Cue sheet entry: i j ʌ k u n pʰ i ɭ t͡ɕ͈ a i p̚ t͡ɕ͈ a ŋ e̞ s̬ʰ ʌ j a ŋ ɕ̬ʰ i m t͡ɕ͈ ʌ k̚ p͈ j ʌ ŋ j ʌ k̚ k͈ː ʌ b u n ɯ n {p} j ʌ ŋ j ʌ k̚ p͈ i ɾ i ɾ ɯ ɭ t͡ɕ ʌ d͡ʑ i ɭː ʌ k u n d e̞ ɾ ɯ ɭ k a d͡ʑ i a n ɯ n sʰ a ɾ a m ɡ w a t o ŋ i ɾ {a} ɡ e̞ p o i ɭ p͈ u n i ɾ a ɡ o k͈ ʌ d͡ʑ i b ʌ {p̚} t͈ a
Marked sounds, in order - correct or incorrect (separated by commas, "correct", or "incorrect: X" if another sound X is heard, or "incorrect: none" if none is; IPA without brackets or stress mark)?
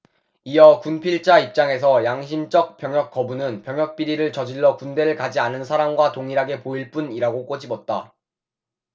correct, correct, incorrect: t̚